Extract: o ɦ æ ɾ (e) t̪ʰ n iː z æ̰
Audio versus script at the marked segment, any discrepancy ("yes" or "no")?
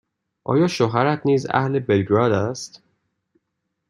yes